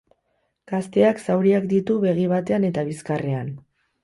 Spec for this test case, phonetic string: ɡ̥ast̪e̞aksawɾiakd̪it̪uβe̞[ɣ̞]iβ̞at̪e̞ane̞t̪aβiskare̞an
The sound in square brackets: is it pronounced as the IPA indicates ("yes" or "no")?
yes